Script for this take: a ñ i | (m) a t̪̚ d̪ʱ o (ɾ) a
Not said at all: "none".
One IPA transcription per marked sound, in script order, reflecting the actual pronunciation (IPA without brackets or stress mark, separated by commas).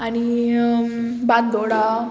b, ɽ